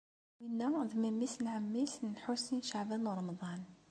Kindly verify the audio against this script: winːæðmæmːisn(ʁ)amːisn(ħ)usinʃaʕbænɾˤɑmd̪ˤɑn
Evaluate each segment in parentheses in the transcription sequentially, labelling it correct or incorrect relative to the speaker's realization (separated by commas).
incorrect, correct